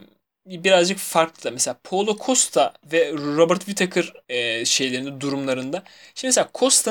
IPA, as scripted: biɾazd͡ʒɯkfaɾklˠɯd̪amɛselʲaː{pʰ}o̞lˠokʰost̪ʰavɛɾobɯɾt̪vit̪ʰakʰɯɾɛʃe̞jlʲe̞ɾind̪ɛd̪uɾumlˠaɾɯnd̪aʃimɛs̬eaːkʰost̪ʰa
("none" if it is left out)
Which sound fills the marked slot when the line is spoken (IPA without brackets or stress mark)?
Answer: pʰ